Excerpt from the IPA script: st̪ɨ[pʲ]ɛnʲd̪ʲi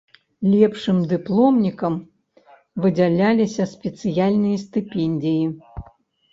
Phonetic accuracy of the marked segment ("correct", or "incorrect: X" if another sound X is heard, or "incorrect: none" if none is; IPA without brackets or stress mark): correct